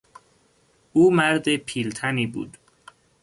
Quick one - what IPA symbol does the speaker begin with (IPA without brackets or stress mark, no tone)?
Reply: uː